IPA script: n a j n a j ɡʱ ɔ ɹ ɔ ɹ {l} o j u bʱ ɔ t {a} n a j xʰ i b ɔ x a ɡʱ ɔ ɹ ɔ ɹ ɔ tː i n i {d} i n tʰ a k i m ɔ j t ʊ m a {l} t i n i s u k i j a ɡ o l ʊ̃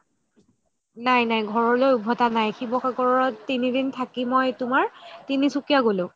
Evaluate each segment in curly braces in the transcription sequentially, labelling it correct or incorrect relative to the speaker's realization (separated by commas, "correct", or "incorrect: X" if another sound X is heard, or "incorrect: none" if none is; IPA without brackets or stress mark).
correct, correct, correct, incorrect: ɹ